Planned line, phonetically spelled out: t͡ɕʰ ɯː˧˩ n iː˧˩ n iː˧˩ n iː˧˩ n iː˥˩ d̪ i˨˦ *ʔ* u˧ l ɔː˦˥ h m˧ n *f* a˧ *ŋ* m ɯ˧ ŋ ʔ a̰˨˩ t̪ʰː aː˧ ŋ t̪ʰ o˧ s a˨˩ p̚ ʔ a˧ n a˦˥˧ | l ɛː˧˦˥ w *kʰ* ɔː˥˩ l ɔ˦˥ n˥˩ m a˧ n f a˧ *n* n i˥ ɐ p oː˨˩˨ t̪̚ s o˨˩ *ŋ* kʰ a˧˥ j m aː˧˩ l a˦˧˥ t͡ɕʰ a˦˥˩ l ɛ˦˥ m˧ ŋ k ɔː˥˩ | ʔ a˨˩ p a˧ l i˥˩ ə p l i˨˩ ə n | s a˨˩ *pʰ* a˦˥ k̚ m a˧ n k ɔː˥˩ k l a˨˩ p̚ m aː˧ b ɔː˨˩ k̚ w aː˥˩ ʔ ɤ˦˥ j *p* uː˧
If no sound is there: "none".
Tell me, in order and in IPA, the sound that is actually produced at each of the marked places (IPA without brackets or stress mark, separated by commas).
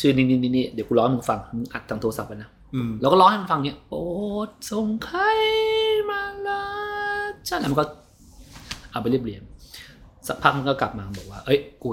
k, f, ŋ, k, ŋ, ŋ, pʰ, k